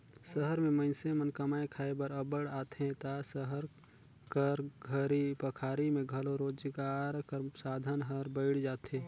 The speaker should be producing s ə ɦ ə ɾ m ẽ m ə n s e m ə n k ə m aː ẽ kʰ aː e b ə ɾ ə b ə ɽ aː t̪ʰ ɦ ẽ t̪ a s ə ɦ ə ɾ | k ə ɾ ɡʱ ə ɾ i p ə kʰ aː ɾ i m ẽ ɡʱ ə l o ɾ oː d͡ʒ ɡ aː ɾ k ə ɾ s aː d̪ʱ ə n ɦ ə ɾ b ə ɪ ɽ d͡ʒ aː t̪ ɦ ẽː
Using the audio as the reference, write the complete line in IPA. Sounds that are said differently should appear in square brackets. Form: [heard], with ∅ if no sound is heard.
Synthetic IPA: s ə ɦ ə ɾ m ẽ m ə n s e m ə n k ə m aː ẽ kʰ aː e b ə ɾ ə b ə ɽ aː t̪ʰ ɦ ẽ t̪ a s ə ɦ ə ɾ | k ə ɾ ɡʱ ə ɾ i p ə kʰ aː ɾ i m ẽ ɡʱ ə l o ɾ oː d͡ʒ ɡ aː ɾ k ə ɾ s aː d̪ʱ ə n ɦ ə ɾ b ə ɪ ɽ d͡ʒ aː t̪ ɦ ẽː